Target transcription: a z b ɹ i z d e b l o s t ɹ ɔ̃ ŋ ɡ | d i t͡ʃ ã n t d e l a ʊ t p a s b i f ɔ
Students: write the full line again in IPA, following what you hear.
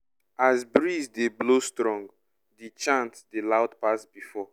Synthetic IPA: a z b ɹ i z d e b l o s t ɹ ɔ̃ ŋ ɡ | d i t͡ʃ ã n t d e l a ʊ t p a s b i f ɔ